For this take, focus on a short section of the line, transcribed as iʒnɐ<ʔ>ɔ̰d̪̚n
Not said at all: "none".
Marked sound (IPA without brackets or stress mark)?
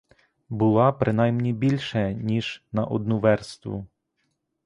ʔ